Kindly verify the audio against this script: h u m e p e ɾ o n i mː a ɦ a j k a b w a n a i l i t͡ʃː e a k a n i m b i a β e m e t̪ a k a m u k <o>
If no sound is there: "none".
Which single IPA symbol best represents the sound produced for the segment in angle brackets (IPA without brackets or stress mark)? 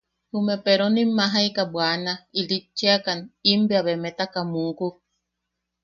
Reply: u